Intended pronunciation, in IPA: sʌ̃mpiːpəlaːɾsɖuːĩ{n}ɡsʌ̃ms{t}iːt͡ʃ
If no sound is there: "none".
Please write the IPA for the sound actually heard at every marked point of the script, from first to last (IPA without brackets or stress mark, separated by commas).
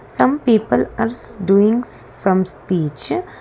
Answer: ŋ, p